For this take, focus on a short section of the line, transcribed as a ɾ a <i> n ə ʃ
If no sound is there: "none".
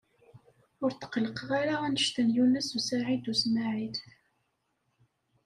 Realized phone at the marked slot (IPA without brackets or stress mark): æ